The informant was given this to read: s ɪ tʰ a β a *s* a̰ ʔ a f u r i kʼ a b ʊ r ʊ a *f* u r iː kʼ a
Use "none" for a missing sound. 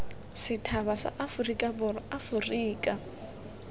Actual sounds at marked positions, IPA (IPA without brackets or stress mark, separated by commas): s, f